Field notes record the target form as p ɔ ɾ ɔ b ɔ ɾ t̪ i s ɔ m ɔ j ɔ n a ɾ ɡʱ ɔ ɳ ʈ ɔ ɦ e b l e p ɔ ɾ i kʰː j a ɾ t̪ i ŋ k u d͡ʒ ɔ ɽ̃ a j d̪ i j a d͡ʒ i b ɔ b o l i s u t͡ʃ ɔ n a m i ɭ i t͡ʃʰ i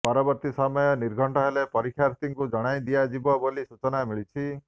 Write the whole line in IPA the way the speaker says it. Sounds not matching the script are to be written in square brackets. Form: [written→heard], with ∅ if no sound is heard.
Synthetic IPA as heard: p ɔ ɾ ɔ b ɔ ɾ t̪ i s ɔ m ɔ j ɔ n [a→i] ɾ ɡʱ ɔ ɳ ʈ ɔ ɦ e [b→∅] l e p ɔ ɾ i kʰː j a ɾ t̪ i ŋ k u d͡ʒ ɔ ɽ̃ a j d̪ i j a d͡ʒ i b ɔ b o l i s u t͡ʃ ɔ n a m i ɭ i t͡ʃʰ i